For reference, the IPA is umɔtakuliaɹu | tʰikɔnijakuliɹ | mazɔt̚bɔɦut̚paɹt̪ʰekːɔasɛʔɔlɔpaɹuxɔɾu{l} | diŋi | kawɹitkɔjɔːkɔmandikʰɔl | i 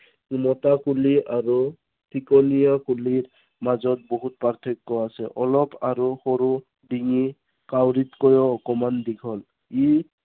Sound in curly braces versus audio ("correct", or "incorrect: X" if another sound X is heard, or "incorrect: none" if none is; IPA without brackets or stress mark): incorrect: none